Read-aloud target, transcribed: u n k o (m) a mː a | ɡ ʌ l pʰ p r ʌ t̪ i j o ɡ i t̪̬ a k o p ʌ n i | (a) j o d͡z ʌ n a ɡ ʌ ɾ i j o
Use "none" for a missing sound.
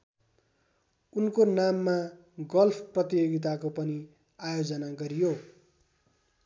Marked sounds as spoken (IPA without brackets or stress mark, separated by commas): n, a